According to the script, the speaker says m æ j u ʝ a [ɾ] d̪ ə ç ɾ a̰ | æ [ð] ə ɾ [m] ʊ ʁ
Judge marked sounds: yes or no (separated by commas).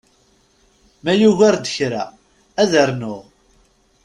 yes, yes, no